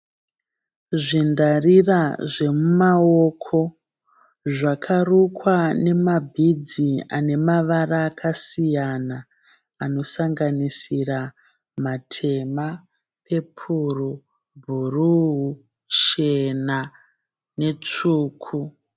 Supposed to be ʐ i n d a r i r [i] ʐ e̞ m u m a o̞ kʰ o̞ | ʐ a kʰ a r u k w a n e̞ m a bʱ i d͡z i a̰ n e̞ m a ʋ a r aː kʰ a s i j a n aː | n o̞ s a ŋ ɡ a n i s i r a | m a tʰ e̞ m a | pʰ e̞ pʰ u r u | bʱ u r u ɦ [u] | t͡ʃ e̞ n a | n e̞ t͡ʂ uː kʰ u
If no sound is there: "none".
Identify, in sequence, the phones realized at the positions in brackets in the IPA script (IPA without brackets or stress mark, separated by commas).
a, u